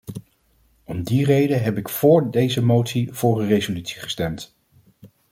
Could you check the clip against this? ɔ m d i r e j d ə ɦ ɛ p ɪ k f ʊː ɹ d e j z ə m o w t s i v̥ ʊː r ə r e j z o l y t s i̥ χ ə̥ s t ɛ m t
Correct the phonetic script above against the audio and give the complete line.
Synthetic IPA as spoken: ɔ m d i r e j d ə ɦ ɛ p ɪ k f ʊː ɹ d e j z ə m o w t s i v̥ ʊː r ə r e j z o l y t s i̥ χ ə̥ s t ɛ m t